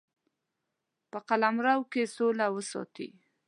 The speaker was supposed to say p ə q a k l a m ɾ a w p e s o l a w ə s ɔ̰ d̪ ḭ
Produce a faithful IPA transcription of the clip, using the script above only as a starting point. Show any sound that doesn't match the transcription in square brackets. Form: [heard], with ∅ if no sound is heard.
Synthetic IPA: p ə q a [∅] l a m ɾ a w [k] e s o l a w ə s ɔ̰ [t̪] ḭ